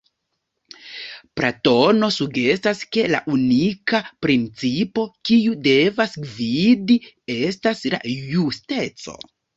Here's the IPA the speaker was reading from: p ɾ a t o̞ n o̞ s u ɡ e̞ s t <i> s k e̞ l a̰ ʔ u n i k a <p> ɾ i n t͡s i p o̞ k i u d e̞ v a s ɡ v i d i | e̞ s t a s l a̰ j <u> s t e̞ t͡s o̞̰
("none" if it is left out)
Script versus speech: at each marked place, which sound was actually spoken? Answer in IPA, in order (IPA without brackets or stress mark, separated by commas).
a, p, u